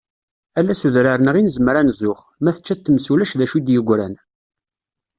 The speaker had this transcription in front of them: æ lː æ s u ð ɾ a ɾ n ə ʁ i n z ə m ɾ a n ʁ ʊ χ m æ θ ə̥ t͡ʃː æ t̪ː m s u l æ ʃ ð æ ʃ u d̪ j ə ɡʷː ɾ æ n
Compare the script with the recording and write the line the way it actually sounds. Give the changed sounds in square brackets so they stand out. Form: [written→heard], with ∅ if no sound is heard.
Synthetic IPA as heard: æ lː æ s u ð ɾ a ɾ n ə ʁ i n z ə m ɾ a n [ʁ→z] ʊ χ m æ θ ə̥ t͡ʃː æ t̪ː m s u l æ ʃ ð æ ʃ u d̪ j ə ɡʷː ɾ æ n